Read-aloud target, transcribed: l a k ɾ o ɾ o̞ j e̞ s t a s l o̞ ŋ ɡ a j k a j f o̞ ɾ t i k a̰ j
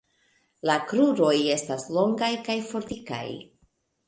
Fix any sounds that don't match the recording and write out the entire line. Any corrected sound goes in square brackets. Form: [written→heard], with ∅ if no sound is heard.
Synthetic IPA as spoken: l a k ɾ [o→u] ɾ o̞ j e̞ s t a s l o̞ ŋ ɡ a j k a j f o̞ ɾ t i k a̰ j